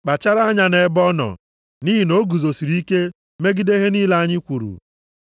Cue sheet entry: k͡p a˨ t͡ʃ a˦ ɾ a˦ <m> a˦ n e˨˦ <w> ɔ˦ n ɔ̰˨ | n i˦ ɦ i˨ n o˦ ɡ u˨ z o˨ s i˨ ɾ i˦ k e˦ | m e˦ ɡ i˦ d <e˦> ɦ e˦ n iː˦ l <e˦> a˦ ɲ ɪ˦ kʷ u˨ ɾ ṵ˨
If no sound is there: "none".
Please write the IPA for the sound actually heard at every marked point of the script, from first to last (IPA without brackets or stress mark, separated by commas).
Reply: ɲ, b, e˦, a˦